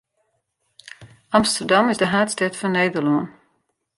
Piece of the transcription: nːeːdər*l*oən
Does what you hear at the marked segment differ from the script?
no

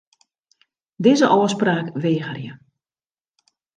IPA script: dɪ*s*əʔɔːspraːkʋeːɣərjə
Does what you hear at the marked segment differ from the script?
yes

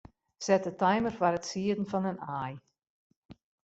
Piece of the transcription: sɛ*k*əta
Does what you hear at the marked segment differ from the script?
yes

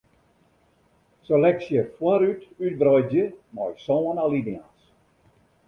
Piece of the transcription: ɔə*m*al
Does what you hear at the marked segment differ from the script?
yes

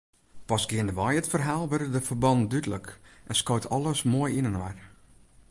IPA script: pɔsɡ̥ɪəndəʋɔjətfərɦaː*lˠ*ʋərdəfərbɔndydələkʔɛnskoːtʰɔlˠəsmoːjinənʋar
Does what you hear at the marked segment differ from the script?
no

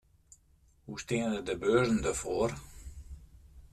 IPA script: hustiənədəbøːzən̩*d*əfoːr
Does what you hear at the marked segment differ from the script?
no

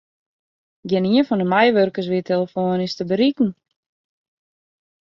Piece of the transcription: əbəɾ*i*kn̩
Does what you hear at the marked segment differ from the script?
no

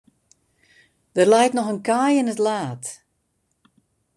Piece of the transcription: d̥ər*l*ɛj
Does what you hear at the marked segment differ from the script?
no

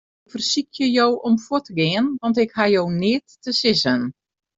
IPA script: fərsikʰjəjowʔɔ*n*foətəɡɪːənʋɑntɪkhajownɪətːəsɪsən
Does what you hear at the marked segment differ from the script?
yes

